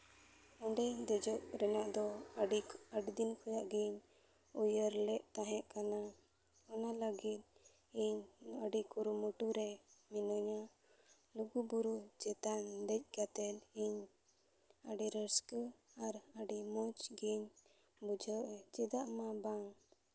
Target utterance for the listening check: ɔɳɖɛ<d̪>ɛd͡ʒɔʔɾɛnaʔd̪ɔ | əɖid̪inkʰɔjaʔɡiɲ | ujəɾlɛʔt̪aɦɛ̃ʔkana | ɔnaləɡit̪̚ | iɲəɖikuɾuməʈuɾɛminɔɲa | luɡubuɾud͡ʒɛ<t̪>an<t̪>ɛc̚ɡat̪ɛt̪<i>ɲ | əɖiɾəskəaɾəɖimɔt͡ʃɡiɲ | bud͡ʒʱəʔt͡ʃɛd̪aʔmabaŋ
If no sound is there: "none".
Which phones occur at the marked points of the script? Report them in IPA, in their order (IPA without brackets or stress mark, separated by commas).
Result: d̪, t̪, d̪, i